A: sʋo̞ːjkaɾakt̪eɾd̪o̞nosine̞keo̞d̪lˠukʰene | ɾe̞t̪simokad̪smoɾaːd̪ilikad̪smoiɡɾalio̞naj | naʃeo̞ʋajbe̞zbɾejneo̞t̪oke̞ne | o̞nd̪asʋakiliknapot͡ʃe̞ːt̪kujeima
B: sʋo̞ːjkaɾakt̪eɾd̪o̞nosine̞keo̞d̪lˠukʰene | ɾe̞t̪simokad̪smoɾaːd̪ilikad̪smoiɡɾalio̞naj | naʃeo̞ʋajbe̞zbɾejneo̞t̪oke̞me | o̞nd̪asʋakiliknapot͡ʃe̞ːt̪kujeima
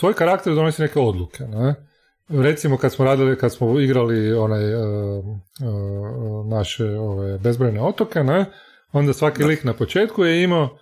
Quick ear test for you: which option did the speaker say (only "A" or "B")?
A